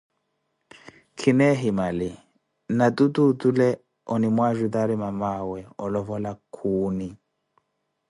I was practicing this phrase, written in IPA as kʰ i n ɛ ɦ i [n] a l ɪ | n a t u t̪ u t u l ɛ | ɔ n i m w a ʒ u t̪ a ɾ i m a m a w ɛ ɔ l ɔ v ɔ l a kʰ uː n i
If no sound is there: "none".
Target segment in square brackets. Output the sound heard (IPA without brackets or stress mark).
m